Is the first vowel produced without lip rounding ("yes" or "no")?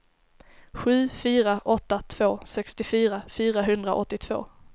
no